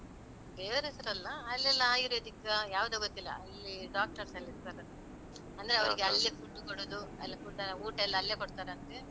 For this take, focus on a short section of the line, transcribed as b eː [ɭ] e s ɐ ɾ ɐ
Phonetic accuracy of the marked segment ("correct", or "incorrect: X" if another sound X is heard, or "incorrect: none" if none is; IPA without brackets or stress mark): incorrect: ɾ